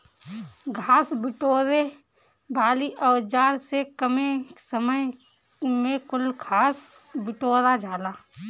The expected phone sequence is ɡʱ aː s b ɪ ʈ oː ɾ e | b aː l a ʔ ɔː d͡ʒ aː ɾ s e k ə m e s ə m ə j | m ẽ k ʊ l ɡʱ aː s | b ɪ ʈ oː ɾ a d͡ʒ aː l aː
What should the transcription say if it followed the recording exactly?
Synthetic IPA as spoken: ɡʱ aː s b ɪ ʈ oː ɾ e | b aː l i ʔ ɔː d͡ʒ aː ɾ s e k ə m e s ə m ə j | m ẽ k ʊ l ɡʱ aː s | b ɪ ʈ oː ɾ a d͡ʒ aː l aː